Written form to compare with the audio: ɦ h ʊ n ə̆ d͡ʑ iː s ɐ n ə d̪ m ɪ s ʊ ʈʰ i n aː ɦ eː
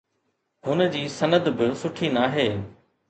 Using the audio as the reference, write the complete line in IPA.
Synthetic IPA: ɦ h ʊ n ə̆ d͡ʑ iː s ɐ n ə d̪ b ɪ s ʊ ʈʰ i n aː ɦ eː